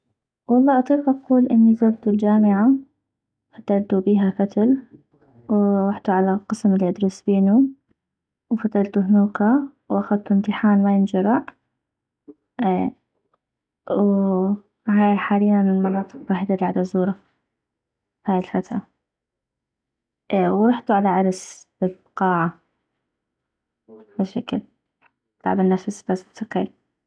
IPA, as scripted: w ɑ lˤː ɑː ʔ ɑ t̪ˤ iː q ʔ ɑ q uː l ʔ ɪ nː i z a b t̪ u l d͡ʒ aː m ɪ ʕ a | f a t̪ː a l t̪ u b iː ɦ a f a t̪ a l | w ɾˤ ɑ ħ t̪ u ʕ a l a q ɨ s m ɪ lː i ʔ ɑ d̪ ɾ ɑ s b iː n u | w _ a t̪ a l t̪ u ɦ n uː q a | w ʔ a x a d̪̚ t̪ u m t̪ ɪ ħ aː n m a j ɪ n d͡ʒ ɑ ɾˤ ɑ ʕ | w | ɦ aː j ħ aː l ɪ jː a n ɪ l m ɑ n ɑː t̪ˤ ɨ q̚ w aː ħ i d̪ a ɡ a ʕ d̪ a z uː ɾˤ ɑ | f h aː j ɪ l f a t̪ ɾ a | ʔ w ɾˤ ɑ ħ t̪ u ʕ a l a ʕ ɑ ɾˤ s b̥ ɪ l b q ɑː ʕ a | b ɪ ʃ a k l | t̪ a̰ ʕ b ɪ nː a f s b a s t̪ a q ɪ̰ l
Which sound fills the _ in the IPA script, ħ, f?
f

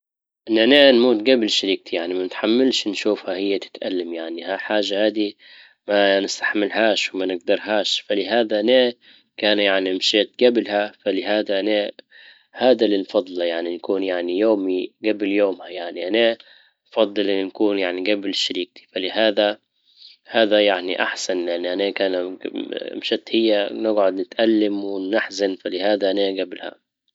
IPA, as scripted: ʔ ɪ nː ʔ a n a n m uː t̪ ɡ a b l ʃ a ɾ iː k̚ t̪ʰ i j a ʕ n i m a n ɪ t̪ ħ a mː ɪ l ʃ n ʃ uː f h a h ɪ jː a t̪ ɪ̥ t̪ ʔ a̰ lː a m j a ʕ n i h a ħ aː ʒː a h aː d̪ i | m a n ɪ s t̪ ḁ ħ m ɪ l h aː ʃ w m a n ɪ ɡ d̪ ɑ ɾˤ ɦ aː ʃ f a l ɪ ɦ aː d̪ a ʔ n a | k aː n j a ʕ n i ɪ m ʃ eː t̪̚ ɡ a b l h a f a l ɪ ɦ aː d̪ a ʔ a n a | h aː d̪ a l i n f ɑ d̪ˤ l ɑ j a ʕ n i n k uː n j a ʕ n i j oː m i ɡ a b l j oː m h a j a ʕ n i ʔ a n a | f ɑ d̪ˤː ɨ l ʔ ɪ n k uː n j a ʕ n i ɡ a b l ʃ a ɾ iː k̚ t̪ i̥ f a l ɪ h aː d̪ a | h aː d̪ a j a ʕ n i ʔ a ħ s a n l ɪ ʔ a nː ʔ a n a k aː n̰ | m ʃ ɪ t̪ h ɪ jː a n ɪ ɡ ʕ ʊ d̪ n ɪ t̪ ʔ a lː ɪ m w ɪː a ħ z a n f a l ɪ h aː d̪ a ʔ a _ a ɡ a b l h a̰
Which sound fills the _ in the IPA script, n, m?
n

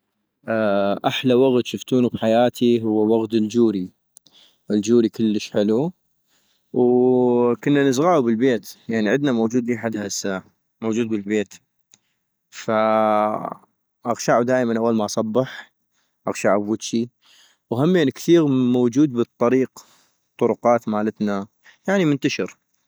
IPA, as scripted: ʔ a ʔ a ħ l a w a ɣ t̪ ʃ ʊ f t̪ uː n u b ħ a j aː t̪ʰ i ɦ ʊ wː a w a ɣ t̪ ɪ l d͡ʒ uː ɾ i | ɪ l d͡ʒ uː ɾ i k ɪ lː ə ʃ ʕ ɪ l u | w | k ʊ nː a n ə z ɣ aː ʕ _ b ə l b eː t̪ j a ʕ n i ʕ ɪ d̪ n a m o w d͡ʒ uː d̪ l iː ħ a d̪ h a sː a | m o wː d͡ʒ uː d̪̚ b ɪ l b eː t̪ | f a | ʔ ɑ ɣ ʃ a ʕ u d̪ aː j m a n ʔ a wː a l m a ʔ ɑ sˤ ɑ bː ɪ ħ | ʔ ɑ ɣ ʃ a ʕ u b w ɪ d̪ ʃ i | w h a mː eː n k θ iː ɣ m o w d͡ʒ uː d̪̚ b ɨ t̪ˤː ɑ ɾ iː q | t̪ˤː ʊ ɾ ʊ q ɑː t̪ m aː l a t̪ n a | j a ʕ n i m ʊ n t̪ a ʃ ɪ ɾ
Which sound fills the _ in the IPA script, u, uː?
u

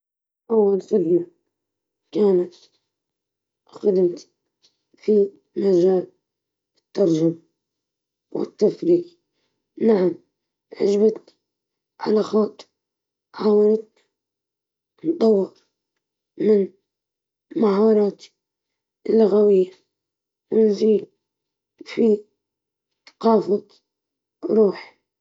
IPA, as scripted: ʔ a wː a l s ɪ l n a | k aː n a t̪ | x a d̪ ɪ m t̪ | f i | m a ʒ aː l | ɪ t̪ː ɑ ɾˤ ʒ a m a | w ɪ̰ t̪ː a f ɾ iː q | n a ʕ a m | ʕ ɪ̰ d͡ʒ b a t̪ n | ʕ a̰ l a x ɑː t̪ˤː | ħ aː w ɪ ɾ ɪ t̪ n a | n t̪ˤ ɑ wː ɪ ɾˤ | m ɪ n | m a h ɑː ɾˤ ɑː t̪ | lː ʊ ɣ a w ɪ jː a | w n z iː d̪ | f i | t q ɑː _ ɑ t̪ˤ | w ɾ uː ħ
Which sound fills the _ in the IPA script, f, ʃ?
f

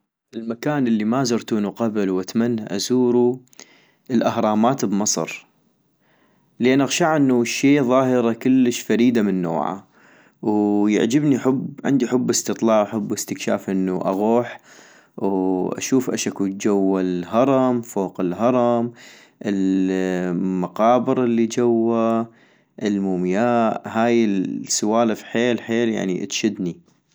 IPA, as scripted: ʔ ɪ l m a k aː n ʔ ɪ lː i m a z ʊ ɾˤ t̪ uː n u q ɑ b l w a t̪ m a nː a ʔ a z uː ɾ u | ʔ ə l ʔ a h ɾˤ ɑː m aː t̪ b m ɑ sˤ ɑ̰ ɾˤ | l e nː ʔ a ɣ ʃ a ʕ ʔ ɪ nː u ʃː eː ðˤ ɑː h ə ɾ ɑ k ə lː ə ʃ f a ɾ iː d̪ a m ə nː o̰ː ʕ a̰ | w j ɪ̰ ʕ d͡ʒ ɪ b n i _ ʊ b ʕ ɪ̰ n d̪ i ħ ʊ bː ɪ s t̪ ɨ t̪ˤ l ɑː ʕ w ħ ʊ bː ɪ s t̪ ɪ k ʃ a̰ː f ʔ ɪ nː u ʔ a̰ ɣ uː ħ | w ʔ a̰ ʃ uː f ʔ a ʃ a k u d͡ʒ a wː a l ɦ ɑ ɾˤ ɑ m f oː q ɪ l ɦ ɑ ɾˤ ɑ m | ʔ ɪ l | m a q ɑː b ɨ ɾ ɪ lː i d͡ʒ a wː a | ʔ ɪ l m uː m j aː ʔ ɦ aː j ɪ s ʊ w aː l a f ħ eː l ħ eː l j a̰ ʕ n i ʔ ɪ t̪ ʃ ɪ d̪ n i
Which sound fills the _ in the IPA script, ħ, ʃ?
ħ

